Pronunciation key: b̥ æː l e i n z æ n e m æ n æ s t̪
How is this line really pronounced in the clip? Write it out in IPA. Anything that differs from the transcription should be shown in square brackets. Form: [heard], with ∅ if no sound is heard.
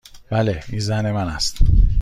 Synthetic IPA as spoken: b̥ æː l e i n z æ n e m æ n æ s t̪